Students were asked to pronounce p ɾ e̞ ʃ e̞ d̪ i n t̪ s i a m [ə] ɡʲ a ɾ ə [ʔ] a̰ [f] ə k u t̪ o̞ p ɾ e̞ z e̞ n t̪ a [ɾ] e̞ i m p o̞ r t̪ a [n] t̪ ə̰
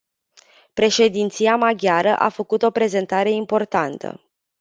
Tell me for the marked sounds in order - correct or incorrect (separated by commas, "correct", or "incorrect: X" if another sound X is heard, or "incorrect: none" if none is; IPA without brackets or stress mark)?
incorrect: a, correct, correct, correct, correct